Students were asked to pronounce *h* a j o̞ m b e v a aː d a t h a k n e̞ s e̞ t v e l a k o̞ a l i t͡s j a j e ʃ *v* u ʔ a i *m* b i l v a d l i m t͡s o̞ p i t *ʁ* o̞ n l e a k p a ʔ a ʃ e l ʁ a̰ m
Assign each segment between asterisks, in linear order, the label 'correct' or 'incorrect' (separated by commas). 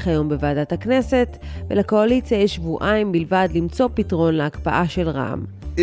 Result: incorrect, correct, correct, correct